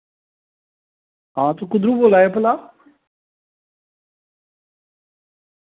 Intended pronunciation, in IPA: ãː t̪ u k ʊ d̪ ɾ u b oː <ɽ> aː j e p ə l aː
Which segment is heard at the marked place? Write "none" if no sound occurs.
l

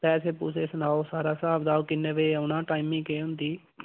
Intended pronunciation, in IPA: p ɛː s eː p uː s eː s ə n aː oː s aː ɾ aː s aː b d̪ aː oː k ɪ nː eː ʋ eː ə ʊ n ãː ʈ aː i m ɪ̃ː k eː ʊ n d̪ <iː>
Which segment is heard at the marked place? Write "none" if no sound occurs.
iː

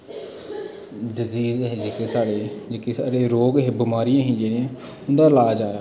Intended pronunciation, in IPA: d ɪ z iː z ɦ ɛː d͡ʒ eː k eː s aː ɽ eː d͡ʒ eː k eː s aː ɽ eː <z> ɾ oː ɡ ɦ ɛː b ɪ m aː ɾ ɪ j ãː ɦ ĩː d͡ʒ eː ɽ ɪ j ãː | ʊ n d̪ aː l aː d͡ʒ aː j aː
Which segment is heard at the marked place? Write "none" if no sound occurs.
none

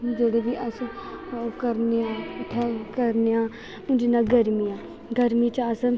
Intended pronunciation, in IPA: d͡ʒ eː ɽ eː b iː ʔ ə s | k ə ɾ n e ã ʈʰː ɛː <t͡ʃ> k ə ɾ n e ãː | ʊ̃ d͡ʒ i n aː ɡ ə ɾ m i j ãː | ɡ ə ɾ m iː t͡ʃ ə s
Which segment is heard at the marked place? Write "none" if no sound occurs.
none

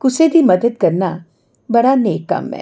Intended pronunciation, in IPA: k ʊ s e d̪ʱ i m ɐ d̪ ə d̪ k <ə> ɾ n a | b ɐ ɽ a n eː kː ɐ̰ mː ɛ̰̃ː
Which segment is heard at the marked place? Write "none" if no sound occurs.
ɐ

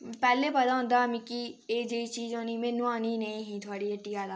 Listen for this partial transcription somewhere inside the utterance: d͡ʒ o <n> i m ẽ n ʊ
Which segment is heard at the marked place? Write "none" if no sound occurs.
n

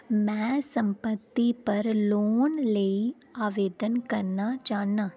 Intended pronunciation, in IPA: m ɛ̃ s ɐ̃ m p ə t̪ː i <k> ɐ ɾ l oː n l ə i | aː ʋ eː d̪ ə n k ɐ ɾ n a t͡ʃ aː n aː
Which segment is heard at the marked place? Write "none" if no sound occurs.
p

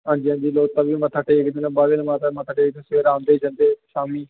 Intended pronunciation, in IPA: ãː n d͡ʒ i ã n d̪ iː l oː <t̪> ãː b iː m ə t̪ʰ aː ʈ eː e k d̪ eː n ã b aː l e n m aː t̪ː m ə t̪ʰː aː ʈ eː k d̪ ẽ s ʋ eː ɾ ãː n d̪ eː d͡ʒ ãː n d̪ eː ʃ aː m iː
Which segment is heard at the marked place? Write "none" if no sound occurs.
t̪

